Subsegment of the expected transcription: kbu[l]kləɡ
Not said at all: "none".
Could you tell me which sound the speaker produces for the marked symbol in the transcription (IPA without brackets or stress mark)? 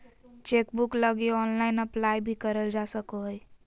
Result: none